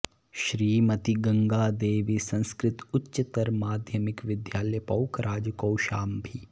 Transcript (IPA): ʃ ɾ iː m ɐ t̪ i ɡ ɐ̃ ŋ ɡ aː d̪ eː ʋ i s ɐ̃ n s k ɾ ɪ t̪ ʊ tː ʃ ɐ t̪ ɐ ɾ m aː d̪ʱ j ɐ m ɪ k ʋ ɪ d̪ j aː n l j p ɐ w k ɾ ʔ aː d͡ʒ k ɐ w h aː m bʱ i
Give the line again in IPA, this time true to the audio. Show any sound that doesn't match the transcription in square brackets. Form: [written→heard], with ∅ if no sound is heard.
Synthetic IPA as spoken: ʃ ɾ iː m ɐ t̪ i ɡ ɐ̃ ŋ ɡ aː d̪ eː ʋ i s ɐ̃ n s k ɾ ɪ t̪ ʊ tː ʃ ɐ t̪ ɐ ɾ m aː d̪ʱ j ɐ m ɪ k ʋ ɪ d̪ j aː [n→∅] l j p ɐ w k ɾ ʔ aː d͡ʒ k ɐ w [h→ʃ] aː m bʱ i